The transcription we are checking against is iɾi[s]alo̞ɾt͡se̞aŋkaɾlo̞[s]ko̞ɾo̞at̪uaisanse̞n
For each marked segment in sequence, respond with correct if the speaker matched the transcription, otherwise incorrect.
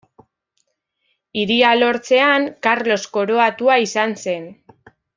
incorrect: none, correct

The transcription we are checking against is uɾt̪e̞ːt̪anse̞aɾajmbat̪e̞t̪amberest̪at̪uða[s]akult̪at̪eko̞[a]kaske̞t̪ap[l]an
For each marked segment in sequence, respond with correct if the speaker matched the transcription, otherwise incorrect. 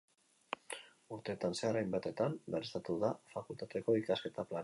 incorrect: f, incorrect: i, correct

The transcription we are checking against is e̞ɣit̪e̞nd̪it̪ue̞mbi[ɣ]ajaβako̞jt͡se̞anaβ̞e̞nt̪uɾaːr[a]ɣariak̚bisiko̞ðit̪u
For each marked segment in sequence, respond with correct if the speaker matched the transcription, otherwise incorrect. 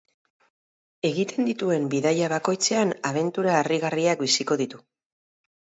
incorrect: ð, incorrect: i

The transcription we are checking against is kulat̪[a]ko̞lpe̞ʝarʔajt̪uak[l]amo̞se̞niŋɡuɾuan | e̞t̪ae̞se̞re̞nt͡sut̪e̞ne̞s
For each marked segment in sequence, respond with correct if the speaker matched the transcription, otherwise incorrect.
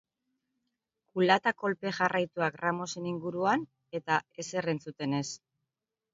correct, incorrect: r

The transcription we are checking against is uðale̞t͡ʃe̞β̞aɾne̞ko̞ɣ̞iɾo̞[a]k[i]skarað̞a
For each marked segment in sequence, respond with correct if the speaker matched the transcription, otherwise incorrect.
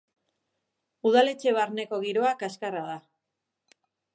correct, incorrect: a

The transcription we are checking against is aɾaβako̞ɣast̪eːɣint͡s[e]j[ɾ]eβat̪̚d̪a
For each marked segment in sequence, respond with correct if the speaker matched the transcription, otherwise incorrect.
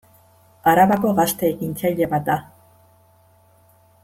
incorrect: a, incorrect: ʎ

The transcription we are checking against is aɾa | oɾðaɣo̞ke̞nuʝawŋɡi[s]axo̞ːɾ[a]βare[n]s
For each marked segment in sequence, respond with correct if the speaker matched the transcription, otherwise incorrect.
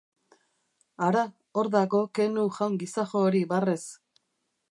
correct, incorrect: i, incorrect: none

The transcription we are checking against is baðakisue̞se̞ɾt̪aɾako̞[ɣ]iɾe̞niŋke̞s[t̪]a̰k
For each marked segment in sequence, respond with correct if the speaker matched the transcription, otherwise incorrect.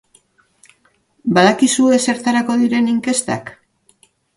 incorrect: ð, correct

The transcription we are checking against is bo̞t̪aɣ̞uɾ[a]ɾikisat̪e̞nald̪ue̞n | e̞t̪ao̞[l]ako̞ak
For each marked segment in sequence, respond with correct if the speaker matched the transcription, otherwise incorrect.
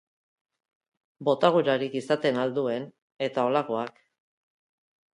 correct, correct

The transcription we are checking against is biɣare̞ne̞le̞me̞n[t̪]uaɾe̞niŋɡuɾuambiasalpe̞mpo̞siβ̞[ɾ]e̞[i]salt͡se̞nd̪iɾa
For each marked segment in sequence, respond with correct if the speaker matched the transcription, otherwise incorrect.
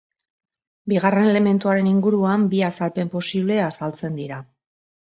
correct, incorrect: l, incorrect: a

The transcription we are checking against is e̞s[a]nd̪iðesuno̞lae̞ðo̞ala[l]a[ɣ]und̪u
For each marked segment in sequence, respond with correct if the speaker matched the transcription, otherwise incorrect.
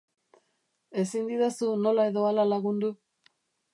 incorrect: i, correct, correct

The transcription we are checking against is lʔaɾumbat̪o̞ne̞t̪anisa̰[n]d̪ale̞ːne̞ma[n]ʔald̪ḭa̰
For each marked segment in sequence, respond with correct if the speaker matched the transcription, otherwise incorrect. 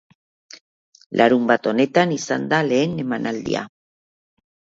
correct, correct

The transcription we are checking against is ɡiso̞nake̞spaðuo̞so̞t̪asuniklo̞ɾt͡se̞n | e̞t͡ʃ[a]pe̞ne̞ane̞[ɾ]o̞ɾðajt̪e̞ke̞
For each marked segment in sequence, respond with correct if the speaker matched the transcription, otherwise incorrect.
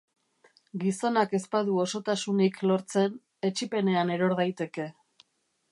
incorrect: i, correct

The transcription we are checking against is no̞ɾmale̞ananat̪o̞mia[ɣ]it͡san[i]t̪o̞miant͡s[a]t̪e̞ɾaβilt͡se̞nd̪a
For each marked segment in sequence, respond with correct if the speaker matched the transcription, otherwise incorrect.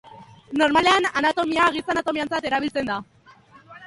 correct, incorrect: a, correct

